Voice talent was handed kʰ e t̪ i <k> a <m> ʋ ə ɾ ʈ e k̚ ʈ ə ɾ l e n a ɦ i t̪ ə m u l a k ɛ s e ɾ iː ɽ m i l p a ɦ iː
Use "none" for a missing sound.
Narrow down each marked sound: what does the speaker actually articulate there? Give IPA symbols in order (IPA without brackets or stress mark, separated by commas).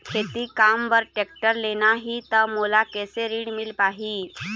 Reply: k, m